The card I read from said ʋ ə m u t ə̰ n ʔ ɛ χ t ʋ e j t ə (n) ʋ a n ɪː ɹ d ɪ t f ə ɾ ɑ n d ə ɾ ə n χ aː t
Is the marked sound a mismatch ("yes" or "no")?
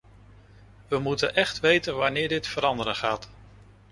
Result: no